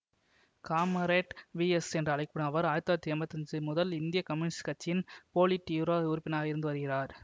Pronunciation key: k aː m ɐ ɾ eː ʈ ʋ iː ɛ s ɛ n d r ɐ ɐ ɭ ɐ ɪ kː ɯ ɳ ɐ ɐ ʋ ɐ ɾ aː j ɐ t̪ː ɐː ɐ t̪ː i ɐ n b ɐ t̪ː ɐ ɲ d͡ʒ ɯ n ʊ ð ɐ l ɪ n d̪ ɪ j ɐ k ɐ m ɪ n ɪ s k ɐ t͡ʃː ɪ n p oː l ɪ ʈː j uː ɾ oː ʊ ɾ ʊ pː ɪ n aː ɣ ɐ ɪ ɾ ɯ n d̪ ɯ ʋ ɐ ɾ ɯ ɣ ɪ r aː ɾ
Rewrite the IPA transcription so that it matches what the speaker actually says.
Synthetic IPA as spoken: k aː m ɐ ɾ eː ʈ ʋ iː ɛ s ɛ n d r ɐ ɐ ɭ ɐ ɪ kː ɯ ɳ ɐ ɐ ʋ ɐ ɾ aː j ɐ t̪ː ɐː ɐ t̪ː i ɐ m b ɐ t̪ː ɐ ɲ d͡ʒ ɯ m ʊ ð ɐ l ɪ n d̪ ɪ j ɐ k ɐ m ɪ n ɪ s k ɐ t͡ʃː ɪ n p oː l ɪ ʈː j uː ɾ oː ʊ ɾ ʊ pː ɪ n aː ɣ ɐ ɪ ɾ ɯ n d̪ ɯ ʋ ɐ ɾ ɯ ɣ ɪ r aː ɾ